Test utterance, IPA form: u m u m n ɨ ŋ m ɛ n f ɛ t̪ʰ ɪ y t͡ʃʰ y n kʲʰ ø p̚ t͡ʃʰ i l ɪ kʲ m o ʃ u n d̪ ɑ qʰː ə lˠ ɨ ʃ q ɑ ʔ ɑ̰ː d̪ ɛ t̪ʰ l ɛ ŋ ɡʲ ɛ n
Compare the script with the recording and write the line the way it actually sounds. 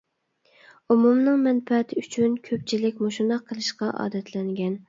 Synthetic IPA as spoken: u m u m n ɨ ŋ m ɛ n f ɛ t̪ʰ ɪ y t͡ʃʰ y n kʲʰ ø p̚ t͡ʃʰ i l ɪ kʲ m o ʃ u n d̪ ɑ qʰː ə lˠ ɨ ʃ q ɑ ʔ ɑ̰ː d̪ ɛ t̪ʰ l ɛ ŋ ɡʲ ɛ n